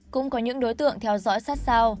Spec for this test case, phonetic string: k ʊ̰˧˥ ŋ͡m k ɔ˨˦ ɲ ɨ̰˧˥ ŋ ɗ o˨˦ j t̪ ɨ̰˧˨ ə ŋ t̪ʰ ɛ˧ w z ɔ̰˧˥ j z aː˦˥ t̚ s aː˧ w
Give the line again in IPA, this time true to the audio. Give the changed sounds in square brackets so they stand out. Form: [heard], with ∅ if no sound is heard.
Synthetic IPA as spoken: k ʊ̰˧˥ ŋ͡m k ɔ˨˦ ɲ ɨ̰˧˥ ŋ ɗ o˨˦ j t̪ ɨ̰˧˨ ə ŋ t̪ʰ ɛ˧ w z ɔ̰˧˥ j [s] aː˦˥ t̚ s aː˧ w